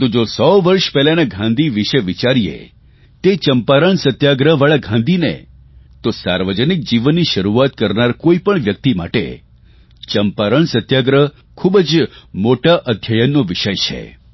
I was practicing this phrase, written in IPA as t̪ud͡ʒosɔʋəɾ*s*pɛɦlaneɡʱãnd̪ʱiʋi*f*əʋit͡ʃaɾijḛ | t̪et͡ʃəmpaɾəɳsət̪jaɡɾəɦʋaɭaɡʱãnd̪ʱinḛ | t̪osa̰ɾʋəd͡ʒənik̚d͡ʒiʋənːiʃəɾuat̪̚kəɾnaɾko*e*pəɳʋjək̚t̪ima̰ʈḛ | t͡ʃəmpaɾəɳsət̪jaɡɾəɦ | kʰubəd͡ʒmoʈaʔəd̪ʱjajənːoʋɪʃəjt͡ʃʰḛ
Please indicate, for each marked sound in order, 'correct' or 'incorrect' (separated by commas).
incorrect, incorrect, incorrect